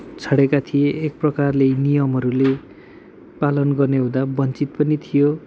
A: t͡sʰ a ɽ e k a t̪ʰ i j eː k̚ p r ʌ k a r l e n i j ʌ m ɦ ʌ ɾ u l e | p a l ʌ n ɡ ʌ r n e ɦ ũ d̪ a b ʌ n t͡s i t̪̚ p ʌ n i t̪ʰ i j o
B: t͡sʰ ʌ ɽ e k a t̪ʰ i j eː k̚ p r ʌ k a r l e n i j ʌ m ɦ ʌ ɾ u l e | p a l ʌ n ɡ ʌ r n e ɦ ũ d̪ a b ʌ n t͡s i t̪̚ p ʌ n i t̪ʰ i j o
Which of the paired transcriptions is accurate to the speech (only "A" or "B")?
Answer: B